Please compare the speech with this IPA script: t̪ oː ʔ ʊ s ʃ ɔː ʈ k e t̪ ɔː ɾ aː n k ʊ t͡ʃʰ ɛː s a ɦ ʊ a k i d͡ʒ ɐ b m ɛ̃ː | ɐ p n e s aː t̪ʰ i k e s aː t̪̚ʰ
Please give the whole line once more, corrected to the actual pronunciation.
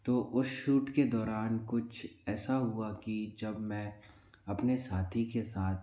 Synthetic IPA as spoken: t̪ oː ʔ ʊ s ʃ uː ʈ k e d̪ ɔː ɾ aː n k ʊ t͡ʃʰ ɛː s a ɦ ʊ a k i d͡ʒ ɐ b m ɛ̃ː | ɐ p n e s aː t̪ʰ i k e s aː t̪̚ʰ